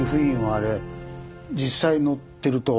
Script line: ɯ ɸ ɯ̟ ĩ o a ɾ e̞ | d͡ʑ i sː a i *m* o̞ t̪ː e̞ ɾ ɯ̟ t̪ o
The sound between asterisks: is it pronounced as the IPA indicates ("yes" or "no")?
no